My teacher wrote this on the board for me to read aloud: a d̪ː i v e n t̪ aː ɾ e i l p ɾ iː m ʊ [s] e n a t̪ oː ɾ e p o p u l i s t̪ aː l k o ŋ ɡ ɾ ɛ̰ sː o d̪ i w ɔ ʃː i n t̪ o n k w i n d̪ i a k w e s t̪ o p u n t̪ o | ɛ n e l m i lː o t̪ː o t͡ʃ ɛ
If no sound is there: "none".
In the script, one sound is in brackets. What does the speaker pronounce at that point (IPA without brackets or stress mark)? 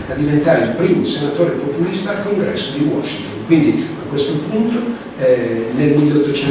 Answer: s